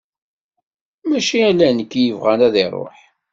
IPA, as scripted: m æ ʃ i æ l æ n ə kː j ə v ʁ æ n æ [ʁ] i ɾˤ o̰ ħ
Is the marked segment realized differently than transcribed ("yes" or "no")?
yes